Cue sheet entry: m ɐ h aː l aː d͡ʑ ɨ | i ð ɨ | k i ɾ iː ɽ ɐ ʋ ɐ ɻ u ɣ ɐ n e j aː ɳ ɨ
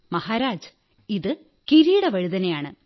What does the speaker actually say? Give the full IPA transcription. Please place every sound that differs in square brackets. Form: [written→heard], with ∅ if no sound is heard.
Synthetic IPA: m ɐ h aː [l→ɾ] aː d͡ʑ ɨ | i ð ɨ | k i ɾ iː ɽ ɐ ʋ ɐ ɻ u [ɣ→ð] ɐ n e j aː ɳ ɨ

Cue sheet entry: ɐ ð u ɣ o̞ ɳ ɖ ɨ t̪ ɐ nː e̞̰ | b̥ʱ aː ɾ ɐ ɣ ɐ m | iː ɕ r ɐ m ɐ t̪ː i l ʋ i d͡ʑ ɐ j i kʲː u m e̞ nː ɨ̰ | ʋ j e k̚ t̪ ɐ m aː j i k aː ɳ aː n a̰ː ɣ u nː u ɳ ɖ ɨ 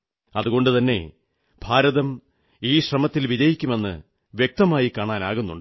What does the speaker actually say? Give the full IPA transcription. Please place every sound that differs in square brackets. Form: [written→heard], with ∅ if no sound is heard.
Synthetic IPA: ɐ ð u ɣ o̞ ɳ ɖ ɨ t̪ ɐ nː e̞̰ | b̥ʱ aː ɾ ɐ [ɣ→ð] ɐ m | iː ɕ r ɐ m ɐ t̪ː i l ʋ i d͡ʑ ɐ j i kʲː u m e̞ nː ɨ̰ | ʋ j e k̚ t̪ ɐ m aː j i k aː ɳ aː n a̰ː ɣ u nː u ɳ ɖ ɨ

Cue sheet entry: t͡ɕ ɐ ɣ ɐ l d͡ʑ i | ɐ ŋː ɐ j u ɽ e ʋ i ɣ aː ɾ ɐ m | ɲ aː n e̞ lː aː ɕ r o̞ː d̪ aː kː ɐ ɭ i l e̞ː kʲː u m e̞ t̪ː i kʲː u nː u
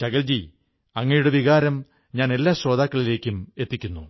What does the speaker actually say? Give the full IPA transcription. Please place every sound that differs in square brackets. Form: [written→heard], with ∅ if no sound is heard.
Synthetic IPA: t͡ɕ ɐ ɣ ɐ l d͡ʑ i | ɐ ŋː ɐ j u ɽ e ʋ i ɣ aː ɾ ɐ m | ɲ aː n e̞ lː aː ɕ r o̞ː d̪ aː kː ɐ ɭ i l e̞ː kʲː u m e̞ t̪ː i kʲː u nː u

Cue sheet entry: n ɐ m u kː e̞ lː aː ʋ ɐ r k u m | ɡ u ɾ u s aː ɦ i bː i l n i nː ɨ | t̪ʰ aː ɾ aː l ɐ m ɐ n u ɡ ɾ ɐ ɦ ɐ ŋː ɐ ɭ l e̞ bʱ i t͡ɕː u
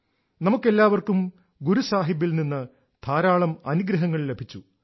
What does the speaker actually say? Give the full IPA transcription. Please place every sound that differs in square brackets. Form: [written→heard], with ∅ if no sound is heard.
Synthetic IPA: n ɐ m u kː e̞ lː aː ʋ ɐ r k u m | ɡ u ɾ u s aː ɦ i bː i l n i nː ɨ | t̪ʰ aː ɾ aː [l→ɭ] ɐ m ɐ n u ɡ ɾ ɐ ɦ ɐ ŋː ɐ ɭ l e̞ bʱ i t͡ɕː u

